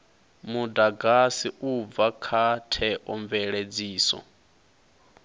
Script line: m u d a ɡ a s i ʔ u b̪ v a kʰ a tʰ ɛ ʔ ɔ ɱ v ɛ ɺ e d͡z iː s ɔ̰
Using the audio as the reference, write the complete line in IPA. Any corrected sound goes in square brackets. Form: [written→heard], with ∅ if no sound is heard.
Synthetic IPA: m u d a ɡ a s i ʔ u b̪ v a kʰ a tʰ ɛ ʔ ɔ ɱ v ɛ ɺ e d͡z iː s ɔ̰

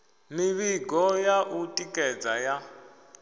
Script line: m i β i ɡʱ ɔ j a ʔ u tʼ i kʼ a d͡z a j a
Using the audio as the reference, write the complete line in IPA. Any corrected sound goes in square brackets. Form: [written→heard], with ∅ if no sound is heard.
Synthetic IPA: m i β i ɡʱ ɔ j a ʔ u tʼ i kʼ [a→ɛ] d͡z a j a

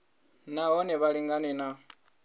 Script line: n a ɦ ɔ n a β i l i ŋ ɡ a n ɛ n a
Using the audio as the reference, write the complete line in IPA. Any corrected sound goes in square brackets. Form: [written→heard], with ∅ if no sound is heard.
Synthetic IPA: n a ɦ ɔ n [a→ɛ] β [i→a] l i ŋ ɡ a n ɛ n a

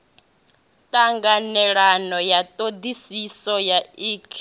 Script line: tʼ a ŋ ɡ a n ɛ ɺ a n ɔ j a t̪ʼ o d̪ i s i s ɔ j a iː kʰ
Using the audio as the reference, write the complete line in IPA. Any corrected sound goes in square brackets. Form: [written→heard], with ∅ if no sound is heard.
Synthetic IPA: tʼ a ŋ ɡ a n ɛ ɺ a n ɔ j a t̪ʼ o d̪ i s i s ɔ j a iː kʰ

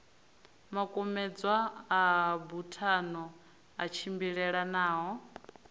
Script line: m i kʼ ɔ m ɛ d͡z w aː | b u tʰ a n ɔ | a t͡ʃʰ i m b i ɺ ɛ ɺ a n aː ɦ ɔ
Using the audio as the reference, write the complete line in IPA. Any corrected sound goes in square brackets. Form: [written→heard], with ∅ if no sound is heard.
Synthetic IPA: m [i→a] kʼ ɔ m ɛ d͡z w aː | b u tʰ a n ɔ | a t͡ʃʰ i m b i ɺ ɛ ɺ a n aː ɦ ɔ

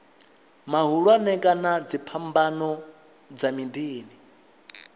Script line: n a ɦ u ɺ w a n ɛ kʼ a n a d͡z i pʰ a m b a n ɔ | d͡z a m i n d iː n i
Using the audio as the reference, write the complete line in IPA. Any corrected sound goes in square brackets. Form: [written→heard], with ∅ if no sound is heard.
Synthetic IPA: [n→m] a ɦ u ɺ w a n ɛ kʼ a n a d͡z i pʰ a m b a n ɔ | d͡z a m i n d iː n i

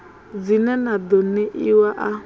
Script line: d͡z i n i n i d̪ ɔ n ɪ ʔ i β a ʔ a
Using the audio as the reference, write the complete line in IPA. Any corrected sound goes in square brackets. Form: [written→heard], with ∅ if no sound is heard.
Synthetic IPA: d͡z i n [i→ɛ] n [i→a] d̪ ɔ n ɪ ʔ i [β→w] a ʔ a

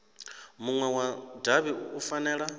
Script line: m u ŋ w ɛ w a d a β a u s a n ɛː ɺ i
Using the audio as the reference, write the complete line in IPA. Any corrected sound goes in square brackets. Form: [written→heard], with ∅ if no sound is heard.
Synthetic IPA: m u ŋ w ɛ w a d a β [a→i] u [s→f] a n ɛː ɺ [i→a]

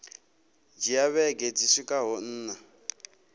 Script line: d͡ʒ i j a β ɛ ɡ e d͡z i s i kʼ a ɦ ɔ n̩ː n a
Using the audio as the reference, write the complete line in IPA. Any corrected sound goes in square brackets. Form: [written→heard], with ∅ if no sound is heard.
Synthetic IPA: d͡ʒ i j a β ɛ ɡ e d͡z i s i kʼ a ɦ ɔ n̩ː n a

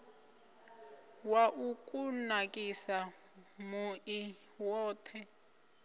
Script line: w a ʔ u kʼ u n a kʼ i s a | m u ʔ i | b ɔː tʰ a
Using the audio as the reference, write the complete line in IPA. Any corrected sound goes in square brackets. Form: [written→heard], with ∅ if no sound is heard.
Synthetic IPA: w a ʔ u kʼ u n a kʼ i s a | m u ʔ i | [b→w] ɔː tʰ [a→ɛ]

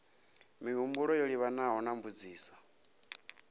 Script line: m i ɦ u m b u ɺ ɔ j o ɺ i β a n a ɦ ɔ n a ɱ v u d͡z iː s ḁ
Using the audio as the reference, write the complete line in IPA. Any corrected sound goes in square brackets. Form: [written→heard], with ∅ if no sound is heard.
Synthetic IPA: m i ɦ u m b u ɺ ɔ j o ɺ i β a n a ɦ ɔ n a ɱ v u d͡z iː s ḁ

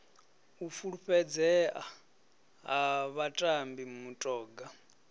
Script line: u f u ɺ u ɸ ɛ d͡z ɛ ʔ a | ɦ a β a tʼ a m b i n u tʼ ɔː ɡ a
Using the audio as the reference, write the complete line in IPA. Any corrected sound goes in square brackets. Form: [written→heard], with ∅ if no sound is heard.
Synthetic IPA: u f u ɺ u ɸ ɛ d͡z ɛ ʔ a | ɦ a β a tʼ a m b i [n→m] u tʼ ɔː ɡ a

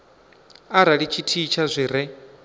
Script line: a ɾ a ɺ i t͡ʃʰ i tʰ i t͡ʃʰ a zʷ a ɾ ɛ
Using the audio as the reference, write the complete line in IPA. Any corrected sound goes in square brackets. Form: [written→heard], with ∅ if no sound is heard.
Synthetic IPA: a ɾ a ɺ i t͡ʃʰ i tʰ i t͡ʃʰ a zʷ [a→i] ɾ ɛ

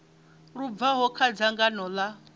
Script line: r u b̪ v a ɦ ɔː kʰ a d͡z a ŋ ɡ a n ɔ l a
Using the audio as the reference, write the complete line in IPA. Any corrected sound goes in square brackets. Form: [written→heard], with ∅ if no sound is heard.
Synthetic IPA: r u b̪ v a ɦ [ɔː→ɔ] kʰ a d͡z a ŋ ɡ a n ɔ l a

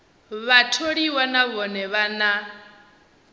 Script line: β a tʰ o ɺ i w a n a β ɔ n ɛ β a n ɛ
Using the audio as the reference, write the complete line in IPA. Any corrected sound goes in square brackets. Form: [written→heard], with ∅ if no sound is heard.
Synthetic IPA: β a tʰ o ɺ i w a n a β ɔ n ɛ β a n [ɛ→a]

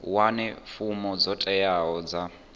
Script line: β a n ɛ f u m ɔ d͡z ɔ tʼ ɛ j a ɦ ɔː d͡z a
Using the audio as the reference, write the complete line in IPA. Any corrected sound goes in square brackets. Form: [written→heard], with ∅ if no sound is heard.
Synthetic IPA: [β→w] a n ɛ f u m ɔ d͡z ɔ tʼ ɛ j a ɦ [ɔː→ɔ] d͡z a

